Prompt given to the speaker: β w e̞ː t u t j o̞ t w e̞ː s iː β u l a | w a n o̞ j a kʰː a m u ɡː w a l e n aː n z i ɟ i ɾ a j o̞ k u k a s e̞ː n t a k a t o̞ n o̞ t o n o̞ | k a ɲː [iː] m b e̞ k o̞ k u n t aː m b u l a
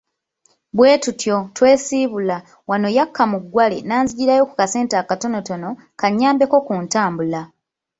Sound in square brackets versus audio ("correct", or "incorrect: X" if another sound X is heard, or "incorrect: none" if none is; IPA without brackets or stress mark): incorrect: aː